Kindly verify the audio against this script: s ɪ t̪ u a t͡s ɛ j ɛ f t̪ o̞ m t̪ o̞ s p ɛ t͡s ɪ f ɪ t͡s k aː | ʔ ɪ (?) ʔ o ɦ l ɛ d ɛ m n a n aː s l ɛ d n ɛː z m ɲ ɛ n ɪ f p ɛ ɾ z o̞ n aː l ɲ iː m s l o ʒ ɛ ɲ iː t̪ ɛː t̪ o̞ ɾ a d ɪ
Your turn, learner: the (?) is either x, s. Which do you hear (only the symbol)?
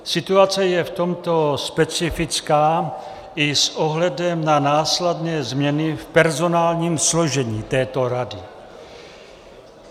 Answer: s